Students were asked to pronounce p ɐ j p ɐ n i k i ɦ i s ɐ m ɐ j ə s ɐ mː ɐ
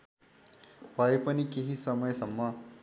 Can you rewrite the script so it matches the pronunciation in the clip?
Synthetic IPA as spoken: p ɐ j p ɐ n i k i ɦ i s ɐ m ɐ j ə s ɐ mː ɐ